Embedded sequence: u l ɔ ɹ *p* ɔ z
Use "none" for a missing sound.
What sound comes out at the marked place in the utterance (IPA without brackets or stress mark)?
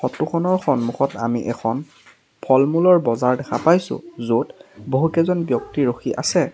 b